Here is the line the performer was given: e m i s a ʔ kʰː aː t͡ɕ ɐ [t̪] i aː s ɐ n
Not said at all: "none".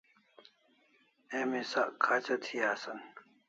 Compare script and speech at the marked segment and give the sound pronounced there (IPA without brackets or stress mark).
t̪ʰ